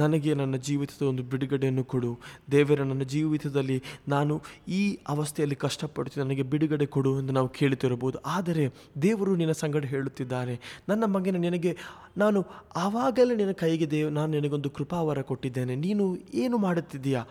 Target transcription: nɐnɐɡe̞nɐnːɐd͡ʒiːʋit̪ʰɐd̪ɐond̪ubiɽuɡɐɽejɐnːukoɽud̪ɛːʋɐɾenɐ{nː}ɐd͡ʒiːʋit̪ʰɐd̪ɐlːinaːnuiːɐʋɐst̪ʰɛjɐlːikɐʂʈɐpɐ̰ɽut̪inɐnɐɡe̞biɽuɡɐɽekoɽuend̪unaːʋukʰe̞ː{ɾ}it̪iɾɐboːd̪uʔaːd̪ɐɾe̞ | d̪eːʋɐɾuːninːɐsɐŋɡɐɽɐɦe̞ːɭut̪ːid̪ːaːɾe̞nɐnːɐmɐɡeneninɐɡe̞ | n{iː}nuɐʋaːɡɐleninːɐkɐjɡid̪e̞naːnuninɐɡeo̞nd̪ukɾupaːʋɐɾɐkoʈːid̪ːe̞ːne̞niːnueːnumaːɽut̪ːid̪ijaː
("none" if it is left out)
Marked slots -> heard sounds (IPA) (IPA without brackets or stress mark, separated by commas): nː, ɭ, aː